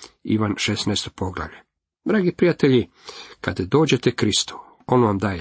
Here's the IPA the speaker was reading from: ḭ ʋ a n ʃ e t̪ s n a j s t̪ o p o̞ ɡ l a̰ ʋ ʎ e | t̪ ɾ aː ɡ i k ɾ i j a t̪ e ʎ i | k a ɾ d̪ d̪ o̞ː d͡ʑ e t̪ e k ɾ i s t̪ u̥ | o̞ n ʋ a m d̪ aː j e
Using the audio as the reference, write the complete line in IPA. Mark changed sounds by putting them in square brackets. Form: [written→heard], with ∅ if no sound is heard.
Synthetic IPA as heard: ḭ ʋ a n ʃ e [t̪→∅] s n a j s t̪ o p o̞ ɡ l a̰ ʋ ʎ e | [t̪→d̪] ɾ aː ɡ i [k→p] ɾ i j a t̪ e ʎ i | k a [ɾ→∅] d̪ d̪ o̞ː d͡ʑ e t̪ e k ɾ i s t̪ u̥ | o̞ n ʋ a m d̪ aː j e